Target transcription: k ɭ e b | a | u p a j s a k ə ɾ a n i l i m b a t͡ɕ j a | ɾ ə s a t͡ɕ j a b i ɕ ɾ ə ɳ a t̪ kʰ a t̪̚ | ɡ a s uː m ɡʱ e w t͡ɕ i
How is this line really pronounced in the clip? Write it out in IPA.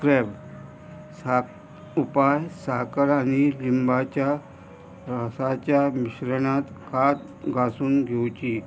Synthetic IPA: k ɾ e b | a | u p a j s a k ə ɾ a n i l i m b a t͡ɕ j a | ɾ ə s a t͡ɕ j a m i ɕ ɾ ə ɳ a t̪ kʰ a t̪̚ | ɡ a s uː n ɡʱ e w t͡ɕ i